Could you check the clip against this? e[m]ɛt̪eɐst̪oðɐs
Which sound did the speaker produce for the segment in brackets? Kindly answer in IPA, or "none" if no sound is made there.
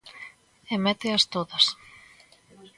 m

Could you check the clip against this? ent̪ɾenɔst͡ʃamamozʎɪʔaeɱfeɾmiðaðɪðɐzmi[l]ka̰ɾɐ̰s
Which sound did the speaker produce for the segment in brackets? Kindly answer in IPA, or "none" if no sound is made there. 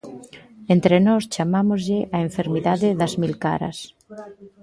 l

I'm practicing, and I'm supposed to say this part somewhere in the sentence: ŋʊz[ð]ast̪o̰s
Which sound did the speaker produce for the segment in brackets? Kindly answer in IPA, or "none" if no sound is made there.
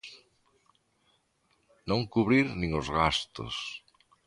ɣ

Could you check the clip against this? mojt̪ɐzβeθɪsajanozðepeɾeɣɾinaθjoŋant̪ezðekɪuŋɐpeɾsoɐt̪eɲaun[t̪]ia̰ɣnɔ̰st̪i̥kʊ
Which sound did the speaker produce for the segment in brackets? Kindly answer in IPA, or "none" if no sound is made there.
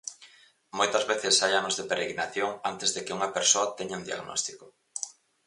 d̪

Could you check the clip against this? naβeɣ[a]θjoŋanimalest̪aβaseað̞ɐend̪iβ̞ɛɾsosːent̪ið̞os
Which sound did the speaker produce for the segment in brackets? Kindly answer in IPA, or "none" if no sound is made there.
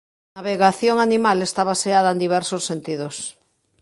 a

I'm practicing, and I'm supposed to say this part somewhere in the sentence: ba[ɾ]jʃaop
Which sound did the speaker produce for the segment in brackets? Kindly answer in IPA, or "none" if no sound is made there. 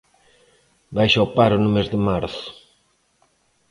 none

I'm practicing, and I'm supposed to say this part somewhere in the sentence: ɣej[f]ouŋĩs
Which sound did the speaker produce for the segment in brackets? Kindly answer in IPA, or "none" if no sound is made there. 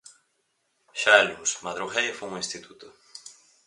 f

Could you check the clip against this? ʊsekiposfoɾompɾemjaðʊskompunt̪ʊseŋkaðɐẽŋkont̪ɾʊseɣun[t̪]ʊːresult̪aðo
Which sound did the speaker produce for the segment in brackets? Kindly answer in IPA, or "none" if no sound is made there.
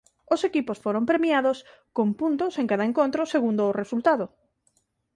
d̪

